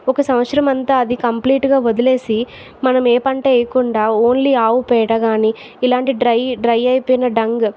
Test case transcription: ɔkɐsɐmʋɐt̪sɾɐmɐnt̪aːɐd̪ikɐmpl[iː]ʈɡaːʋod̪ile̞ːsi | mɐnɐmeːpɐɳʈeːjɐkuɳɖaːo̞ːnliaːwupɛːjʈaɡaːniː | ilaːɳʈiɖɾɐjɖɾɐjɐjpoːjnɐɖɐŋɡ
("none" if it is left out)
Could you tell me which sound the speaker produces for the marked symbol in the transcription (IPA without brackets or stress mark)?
iː